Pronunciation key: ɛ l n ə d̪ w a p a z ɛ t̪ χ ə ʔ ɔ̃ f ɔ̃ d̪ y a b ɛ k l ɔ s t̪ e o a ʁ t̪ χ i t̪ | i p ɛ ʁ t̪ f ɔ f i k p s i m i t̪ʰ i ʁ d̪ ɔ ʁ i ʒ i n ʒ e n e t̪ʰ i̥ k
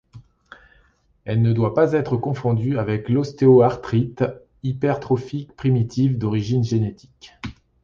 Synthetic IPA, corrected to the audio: ɛ l n ə d̪ w a p a z ɛ t̪ χ ə k ɔ̃ f ɔ̃ d̪ y a v ɛ k l ɔ s t̪ e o a ʁ t̪ χ i t̪ | i p ɛ ʁ t̪ χ ɔ f i k p χ i m i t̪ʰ i v d̪ ɔ ʁ i ʒ i n ʒ e n e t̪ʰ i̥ k